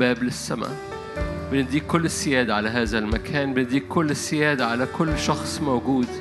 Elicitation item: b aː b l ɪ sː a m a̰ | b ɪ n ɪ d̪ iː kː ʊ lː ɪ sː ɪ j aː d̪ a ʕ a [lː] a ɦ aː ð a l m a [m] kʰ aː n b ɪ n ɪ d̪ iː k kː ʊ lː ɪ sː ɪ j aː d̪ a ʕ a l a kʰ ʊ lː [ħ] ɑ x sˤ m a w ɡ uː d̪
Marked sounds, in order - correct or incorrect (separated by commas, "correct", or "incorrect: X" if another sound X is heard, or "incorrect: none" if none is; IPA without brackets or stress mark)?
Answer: incorrect: l, incorrect: none, incorrect: ʃ